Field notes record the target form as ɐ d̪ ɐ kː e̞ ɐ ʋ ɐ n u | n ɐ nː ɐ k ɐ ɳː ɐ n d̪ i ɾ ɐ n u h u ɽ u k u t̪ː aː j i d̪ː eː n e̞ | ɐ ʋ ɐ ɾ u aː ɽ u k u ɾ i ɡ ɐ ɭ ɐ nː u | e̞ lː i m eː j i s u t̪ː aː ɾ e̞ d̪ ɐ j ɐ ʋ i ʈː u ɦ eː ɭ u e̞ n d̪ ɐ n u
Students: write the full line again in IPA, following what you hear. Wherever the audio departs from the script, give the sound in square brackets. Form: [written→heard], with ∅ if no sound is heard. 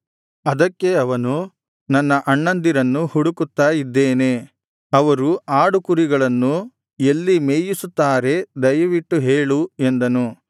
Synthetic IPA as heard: ɐ d̪ ɐ kː e̞ ɐ ʋ ɐ n u | n ɐ nː ɐ [k→ʔ] ɐ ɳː ɐ n d̪ i ɾ ɐ [n→nː] u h u ɽ u k u t̪ː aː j i d̪ː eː n e̞ | ɐ ʋ ɐ ɾ u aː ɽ u k u ɾ i ɡ ɐ ɭ ɐ nː u | e̞ lː i m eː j i s u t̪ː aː ɾ e̞ d̪ ɐ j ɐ ʋ i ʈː u ɦ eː ɭ u e̞ n d̪ ɐ n u